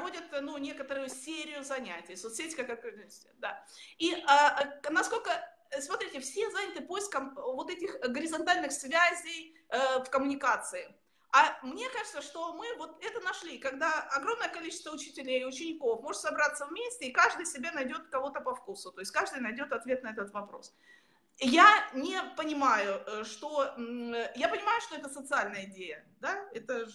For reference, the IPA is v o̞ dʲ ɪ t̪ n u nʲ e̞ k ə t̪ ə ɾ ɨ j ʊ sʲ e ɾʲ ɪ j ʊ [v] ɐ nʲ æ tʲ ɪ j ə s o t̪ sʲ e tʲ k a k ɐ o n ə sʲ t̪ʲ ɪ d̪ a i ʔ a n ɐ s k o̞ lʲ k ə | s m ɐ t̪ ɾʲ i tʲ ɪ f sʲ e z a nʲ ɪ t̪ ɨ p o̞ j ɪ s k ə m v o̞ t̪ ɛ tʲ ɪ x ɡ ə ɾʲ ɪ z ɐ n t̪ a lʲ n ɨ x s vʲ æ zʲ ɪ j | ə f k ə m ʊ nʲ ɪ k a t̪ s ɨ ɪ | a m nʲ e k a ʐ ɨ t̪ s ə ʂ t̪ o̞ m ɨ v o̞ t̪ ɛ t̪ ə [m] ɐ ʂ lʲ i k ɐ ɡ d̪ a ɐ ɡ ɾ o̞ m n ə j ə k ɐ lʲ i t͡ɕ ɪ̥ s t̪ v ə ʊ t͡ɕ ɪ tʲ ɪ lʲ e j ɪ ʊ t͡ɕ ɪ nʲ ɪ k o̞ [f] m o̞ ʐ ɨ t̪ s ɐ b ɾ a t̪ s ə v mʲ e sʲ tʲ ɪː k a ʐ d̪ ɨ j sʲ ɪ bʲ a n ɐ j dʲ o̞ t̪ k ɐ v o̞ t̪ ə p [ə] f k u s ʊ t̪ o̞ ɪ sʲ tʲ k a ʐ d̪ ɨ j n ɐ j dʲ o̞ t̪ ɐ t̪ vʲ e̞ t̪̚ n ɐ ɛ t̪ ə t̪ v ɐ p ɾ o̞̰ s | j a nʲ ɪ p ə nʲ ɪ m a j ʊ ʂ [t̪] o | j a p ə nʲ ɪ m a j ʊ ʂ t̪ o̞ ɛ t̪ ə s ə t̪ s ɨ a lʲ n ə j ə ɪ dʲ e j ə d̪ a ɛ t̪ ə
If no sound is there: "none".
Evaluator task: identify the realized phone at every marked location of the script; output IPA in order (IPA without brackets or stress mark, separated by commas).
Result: z, n, f, ɐ, t̪